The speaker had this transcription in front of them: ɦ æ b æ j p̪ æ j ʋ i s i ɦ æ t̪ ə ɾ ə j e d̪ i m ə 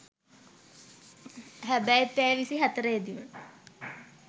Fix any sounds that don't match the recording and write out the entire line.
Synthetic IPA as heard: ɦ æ b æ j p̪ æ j ʋ i s i ɦ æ t̪ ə ɾ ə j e d̪ i m ə